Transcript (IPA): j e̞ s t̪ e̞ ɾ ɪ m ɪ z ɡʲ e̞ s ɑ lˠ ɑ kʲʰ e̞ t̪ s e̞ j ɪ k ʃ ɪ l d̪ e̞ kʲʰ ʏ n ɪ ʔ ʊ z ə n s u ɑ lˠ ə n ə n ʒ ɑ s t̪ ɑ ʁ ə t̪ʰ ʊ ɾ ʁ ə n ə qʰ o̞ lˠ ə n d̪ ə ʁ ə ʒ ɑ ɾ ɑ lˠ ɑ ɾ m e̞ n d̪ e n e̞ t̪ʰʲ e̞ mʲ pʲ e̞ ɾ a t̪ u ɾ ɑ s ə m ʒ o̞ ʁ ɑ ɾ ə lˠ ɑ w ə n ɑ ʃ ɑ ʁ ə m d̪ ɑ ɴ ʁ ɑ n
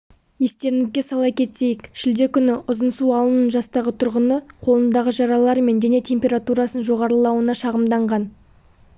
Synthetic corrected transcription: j e̞ s t̪ e̞ ɾ ɪ ŋ ɪ z ɡʲ e̞ s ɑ lˠ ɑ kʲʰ e̞ t̪ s e̞ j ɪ k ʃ ɪ l d̪ e̞ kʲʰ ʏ n ɪ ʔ ʊ z ə n s u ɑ lˠ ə n ə n ʒ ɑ s t̪ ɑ ʁ ə t̪ʰ ʊ ɾ ʁ ə n ə qʰ o̞ lˠ ə n d̪ ɑ ʁ ə ʒ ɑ ɾ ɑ lˠ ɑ ɾ m e̞ n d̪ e n e̞ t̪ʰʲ e̞ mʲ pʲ e̞ ɾ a t̪ u ɾ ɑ s ə n ʒ o̞ ʁ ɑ ɾ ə lˠ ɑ w ə n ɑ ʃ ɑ ʁ ə m d̪ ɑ ɴ ʁ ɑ n